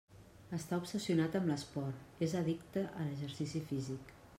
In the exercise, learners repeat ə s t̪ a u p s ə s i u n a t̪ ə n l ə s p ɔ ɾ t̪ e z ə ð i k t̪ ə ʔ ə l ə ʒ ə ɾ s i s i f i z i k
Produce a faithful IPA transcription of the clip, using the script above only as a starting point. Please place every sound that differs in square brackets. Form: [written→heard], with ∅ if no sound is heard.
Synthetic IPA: ə s t̪ a u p s ə s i u n a t̪ ə [n→m] l ə s p ɔ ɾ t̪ e z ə ð i k t̪ ə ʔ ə l ə ʒ ə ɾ s i s i f i z i k

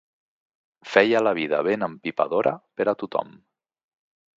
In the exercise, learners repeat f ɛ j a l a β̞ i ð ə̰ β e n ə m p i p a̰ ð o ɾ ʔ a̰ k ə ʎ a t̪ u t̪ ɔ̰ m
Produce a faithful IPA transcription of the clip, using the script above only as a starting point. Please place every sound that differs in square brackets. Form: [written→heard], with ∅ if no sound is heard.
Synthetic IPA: f ɛ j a l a β̞ i ð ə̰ β e n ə m p i p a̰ ð o ɾ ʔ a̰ [k→p] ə [ʎ→ɾ] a t̪ u t̪ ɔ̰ m

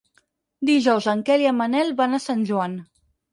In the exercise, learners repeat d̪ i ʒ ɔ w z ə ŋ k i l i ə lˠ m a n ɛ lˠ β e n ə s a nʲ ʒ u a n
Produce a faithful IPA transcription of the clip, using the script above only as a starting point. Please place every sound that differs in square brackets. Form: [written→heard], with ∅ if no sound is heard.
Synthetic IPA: d̪ i ʒ ɔ w z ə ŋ k [i→ɛ] l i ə [lˠ→∅] m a n ɛ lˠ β [e→a] n [ə→a] s a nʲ ʒ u a n

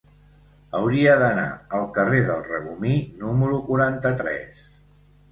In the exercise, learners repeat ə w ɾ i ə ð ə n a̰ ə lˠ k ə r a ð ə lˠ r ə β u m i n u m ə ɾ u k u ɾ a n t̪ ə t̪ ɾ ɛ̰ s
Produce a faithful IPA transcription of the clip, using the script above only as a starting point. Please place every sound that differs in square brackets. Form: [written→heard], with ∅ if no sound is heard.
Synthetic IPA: ə w ɾ i ə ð ə n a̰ ə lˠ k ə r [a→e] ð ə lˠ r ə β u m i n u m ə ɾ u k u ɾ a n t̪ ə t̪ ɾ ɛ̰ s

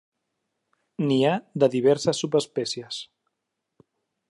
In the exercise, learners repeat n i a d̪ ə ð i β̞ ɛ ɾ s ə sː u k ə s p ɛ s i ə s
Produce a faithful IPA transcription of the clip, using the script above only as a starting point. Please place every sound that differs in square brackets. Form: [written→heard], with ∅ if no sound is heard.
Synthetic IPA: n i a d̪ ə ð i β̞ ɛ ɾ s ə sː u [k→p] ə s p ɛ s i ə s

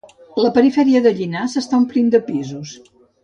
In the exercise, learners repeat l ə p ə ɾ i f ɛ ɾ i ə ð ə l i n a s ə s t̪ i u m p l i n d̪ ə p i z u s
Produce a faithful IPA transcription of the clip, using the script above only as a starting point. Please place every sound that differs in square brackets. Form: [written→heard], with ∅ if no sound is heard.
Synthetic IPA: l ə p ə ɾ i f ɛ ɾ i ə ð ə [l→ʎ] i n a s ə s t̪ [i→a] u m p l i n d̪ ə p i z u s

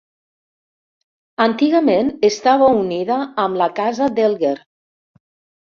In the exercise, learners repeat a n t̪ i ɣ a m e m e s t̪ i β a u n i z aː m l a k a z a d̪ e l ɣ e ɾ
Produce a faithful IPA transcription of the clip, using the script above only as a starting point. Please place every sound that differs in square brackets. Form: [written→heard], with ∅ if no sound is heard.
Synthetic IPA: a n t̪ i ɣ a m e [m→n] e s t̪ [i→a] β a u n i [z→ð] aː m l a k a z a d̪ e l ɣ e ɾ

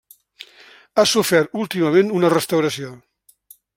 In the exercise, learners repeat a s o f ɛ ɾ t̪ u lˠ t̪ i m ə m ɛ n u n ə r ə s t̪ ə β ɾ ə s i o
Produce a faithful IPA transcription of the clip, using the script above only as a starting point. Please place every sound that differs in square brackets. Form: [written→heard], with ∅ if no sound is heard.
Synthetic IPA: a s [o→u] f ɛ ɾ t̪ u lˠ t̪ i m ə m [ɛ→e] n u n ə r ə s t̪ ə [β→w] ɾ ə s i o

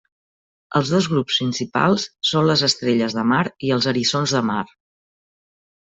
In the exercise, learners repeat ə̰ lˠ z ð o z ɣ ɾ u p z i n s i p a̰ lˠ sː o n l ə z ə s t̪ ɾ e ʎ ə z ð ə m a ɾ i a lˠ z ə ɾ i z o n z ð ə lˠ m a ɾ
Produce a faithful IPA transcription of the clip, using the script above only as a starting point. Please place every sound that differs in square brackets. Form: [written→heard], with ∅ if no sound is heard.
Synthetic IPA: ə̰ lˠ z ð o z ɣ ɾ u p [z→s] i n s i p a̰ lˠ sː o n l ə z ə s t̪ ɾ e ʎ ə z ð ə m a ɾ i [a→ə] lˠ z ə ɾ i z o n z ð ə [lˠ→∅] m a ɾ

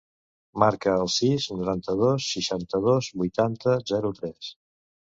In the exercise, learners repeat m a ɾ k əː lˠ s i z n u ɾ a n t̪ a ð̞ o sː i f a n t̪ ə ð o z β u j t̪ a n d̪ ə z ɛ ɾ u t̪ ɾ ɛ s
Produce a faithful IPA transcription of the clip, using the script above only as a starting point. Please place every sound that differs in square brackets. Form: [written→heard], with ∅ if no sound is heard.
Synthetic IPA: m a ɾ k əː lˠ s i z n u ɾ a n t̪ [a→ə] ð̞ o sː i [f→ʃ] a n t̪ ə ð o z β u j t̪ a n [d̪→t̪] ə z ɛ ɾ u t̪ ɾ ɛ s

